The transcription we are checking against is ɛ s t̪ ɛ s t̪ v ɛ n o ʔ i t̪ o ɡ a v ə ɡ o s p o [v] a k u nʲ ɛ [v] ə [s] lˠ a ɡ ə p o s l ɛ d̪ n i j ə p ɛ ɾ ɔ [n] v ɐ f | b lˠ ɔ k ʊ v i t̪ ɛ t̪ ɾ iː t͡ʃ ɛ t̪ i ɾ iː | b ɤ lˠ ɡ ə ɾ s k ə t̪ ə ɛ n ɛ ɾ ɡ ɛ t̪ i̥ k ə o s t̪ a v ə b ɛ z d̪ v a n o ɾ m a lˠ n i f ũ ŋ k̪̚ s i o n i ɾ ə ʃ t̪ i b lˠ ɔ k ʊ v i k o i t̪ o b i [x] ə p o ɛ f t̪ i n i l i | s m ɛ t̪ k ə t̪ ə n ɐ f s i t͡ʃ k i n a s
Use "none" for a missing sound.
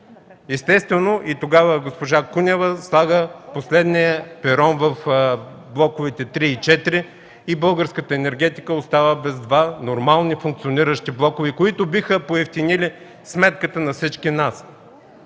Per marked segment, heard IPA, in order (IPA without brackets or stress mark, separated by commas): ʒ, v, s, n, x